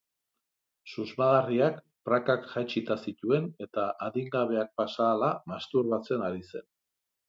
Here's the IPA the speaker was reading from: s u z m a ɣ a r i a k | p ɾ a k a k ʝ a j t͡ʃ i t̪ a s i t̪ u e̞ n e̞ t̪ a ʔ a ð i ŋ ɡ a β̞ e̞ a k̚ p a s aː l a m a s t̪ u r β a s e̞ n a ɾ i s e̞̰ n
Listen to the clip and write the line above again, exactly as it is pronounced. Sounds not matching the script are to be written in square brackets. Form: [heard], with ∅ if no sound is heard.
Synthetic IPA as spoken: s u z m a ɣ a r i a k | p ɾ a k a k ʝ a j t͡ʃ i t̪ a s i t̪ u e̞ n e̞ t̪ a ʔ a ð i ŋ ɡ a β̞ e̞ a k̚ p a s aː l a m a s t̪ u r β a [t͡s] e̞ n a ɾ i s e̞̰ n